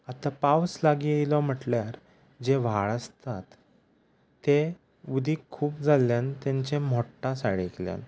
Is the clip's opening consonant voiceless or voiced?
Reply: voiceless